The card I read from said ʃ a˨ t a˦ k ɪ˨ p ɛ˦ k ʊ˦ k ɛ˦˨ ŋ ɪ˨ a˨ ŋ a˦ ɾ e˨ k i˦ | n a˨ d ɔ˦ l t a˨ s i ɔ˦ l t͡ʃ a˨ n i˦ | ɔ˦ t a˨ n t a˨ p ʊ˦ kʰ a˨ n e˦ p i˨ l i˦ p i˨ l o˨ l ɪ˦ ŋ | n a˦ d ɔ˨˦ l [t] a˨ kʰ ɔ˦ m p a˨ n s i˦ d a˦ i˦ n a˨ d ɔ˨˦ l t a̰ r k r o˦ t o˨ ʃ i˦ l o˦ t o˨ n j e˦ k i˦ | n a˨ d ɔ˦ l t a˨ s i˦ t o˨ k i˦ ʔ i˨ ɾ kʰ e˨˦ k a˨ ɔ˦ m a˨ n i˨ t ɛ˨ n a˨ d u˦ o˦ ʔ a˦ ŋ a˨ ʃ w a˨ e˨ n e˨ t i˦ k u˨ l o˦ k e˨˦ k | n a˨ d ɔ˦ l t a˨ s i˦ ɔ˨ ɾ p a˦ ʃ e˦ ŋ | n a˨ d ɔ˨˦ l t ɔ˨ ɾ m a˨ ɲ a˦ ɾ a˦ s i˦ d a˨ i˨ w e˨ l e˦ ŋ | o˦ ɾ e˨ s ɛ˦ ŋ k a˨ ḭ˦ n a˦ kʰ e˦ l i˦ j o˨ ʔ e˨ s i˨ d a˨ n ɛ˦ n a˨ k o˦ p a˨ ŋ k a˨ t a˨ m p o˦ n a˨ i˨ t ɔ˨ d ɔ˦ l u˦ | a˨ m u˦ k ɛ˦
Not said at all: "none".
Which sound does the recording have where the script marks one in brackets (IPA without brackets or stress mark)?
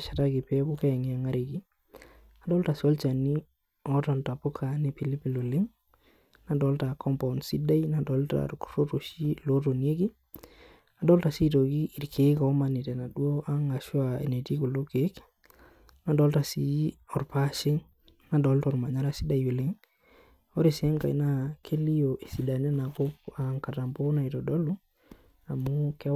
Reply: t